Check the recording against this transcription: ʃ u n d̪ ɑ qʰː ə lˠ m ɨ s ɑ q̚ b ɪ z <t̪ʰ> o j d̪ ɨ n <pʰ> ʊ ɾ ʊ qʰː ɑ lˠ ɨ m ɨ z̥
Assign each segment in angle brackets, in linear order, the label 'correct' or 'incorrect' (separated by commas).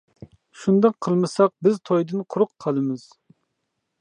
correct, incorrect